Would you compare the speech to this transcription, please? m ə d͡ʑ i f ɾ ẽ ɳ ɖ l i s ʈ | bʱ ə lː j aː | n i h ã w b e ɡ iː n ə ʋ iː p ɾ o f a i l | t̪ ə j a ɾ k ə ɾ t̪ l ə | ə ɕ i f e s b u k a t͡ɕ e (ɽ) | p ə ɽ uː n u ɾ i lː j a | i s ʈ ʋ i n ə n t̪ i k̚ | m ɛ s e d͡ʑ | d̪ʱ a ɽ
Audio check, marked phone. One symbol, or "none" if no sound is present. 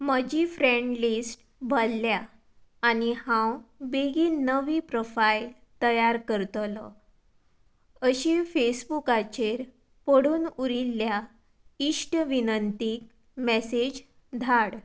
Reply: ɾ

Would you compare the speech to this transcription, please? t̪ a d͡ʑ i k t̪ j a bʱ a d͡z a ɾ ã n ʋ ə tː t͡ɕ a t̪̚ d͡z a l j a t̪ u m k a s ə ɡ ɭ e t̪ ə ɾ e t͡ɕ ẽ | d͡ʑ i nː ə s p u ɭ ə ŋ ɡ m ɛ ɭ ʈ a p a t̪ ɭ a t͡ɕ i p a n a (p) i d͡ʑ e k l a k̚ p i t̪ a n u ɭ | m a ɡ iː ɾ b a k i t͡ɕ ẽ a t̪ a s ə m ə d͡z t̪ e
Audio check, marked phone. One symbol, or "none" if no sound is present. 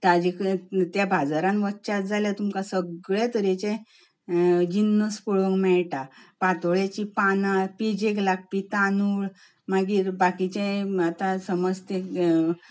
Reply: p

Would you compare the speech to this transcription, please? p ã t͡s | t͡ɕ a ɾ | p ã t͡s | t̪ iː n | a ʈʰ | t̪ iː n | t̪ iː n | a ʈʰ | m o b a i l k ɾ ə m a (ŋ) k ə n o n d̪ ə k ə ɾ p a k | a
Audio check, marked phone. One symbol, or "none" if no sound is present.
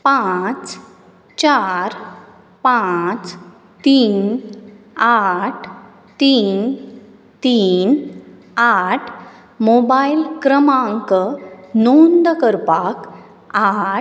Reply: ŋ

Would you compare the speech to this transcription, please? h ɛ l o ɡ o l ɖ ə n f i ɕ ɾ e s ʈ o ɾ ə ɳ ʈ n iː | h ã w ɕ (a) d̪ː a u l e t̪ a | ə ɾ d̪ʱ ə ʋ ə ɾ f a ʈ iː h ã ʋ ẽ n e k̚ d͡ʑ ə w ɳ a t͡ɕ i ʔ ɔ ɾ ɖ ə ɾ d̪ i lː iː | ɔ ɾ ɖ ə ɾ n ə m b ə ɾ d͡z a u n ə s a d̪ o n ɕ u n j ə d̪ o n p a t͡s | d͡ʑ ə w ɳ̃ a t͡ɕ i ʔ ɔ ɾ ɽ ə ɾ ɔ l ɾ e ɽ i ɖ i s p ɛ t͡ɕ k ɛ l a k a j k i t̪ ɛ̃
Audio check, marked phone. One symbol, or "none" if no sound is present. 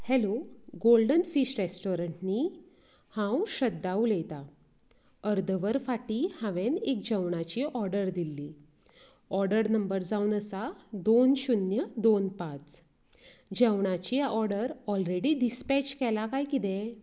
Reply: ə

